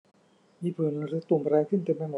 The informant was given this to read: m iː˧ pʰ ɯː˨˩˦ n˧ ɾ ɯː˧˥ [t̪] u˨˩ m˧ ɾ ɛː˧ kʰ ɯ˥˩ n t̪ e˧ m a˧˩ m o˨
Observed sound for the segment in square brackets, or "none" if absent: t̪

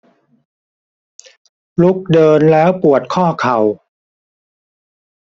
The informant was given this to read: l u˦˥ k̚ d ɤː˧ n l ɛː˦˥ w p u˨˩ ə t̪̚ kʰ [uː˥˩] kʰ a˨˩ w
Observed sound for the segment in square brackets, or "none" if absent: ɔː˥˩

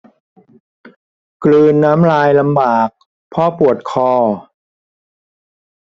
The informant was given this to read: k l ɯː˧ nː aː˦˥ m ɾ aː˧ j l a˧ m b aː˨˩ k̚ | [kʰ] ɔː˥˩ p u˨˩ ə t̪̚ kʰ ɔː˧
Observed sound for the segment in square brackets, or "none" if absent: pʰ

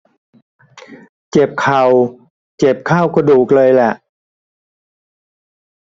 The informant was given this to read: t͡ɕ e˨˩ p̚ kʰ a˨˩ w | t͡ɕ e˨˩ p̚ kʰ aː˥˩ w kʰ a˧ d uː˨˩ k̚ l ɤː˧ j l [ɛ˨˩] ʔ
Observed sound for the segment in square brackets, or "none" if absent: ɛ˨˩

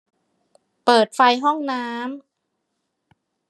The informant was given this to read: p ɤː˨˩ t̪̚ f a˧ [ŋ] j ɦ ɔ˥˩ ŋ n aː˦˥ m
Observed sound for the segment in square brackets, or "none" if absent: none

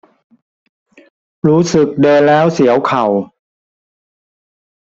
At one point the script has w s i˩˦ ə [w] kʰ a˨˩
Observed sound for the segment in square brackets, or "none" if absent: w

